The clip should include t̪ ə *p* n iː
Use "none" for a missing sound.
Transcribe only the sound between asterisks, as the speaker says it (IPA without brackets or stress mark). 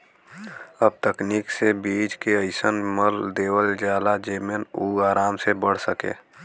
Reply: k